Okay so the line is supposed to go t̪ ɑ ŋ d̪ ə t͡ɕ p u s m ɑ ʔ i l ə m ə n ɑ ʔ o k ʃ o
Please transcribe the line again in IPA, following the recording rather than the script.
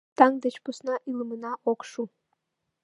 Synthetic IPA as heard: t̪ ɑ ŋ d̪ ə t͡ɕ p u s n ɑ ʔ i l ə m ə n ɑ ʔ o k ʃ u